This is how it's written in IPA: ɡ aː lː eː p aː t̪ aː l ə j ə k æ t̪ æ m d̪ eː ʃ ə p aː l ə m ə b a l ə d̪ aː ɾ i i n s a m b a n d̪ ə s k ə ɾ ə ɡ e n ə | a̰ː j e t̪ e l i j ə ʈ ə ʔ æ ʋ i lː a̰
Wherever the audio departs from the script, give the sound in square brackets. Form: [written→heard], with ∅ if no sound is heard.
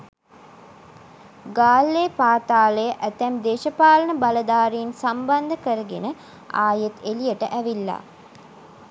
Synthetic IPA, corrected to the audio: ɡ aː lː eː p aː t̪ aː l ə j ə [k→ʔ] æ t̪ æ m d̪ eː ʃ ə p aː l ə [m→n] ə b a l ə d̪ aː ɾ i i n s a m b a n d̪ ə [s→∅] k ə ɾ ə ɡ e n ə | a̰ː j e t̪ e l i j ə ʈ ə ʔ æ ʋ i lː a̰